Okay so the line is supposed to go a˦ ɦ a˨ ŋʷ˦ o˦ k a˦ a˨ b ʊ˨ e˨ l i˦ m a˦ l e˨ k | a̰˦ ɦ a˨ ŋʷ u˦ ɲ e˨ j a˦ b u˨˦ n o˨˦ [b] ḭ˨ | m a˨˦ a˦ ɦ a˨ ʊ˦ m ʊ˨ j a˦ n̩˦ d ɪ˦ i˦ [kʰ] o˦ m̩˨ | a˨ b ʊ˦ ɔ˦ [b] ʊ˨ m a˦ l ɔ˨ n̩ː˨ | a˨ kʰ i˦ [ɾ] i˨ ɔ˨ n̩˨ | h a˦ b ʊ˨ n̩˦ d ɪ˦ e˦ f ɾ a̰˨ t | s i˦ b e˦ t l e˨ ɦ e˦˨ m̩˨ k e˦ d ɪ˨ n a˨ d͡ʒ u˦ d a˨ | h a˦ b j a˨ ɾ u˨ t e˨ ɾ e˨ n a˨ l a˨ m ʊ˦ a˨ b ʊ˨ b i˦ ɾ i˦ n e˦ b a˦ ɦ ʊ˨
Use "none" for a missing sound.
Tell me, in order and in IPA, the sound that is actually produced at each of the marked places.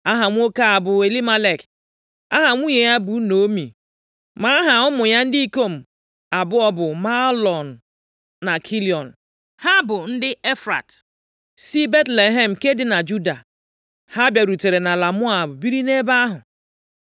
m, k, b, l

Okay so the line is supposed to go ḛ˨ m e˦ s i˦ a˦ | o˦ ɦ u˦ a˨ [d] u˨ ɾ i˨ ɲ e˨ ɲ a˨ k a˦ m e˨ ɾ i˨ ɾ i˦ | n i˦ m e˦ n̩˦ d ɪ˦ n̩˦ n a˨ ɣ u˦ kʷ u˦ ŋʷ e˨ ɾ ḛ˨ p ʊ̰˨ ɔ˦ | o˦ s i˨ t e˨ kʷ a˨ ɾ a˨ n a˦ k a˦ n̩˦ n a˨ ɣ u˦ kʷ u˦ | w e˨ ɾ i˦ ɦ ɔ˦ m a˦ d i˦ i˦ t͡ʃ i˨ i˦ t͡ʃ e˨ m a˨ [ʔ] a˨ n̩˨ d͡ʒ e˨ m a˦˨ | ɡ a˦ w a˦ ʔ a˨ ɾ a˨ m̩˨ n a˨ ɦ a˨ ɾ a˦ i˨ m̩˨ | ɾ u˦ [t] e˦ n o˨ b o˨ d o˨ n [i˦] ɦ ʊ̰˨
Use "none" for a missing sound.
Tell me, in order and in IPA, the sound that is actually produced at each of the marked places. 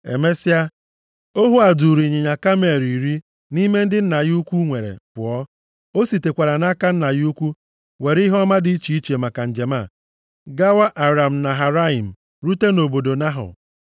d, k, t, a˦

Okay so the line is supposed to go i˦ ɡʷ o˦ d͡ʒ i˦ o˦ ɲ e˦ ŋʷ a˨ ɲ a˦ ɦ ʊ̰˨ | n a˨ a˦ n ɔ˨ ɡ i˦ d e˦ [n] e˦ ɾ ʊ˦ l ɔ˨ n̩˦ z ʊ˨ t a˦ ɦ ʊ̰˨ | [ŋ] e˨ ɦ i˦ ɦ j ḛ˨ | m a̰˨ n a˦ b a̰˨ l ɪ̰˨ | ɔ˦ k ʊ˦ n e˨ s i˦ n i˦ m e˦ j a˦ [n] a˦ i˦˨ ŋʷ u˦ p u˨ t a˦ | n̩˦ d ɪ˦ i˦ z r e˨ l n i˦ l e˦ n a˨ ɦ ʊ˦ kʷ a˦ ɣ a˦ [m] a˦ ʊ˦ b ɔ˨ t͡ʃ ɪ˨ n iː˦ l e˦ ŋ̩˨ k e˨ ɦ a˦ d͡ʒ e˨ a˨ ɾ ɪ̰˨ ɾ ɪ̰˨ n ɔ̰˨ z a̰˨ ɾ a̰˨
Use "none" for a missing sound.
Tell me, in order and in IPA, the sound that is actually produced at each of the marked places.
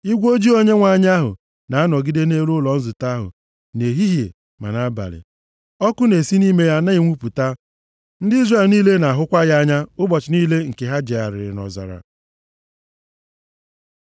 n, n, n, ɲ

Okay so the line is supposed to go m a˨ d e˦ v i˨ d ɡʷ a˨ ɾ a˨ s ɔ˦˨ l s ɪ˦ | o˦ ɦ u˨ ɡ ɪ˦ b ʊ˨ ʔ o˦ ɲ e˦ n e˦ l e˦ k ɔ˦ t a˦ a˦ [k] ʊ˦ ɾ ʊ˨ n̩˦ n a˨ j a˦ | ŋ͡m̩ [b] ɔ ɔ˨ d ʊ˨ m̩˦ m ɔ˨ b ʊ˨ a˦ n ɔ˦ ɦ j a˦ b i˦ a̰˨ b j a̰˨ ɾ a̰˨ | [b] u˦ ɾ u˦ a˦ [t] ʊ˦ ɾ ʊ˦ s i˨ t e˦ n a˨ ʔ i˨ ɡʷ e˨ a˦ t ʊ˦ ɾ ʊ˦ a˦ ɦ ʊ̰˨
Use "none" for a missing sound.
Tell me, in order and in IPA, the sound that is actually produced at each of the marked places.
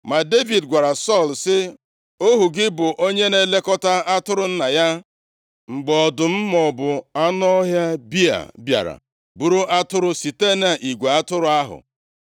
t, ɡ͡b, b, t

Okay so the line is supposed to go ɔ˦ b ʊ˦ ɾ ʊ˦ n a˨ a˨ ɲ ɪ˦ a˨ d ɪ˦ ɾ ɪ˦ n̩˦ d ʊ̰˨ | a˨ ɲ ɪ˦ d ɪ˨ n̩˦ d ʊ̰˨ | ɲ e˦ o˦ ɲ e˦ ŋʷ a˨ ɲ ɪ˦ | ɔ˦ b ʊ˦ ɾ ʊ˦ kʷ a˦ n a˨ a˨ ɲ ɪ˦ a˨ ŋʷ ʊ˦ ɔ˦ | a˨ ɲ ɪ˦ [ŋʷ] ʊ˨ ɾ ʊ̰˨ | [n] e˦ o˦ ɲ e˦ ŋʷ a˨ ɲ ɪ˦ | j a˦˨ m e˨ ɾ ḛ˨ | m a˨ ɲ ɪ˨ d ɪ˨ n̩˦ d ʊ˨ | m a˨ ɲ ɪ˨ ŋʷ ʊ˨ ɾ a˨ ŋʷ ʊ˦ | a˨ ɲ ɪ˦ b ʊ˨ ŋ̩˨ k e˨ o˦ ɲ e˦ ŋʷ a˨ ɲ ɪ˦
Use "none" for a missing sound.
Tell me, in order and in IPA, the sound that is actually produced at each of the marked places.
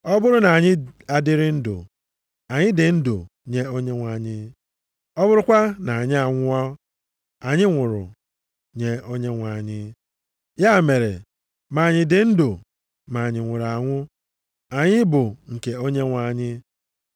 ŋʷ, ɲ

